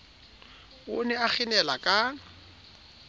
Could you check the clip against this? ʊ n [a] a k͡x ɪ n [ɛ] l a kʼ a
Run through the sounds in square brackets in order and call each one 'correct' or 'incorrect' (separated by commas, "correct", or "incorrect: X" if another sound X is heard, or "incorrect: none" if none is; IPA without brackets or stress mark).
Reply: incorrect: ɛ, correct